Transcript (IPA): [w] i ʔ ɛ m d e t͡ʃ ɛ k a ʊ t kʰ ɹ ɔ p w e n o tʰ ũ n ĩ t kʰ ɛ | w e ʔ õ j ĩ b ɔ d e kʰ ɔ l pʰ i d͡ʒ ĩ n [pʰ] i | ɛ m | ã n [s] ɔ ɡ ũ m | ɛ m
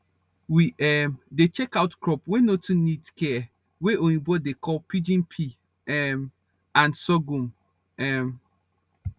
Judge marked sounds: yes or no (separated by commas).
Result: yes, yes, yes